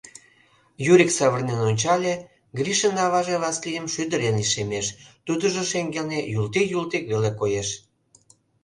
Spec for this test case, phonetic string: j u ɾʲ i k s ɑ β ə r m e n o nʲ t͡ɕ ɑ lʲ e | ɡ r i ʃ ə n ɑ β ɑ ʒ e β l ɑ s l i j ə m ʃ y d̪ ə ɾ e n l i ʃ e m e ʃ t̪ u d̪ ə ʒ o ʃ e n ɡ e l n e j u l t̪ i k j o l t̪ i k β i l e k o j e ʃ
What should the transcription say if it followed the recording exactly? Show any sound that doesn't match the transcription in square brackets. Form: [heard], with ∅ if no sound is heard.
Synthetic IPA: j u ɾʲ i k s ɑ β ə r [n] e n o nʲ t͡ɕ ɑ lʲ e | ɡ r i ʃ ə n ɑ β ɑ ʒ e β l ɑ s l i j ə m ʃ y d̪ ə ɾ e n l i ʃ e m e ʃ t̪ u d̪ ə ʒ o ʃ e [ŋ] ɡ e l n e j u l t̪ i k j [u] l t̪ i k β [e] l e k o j e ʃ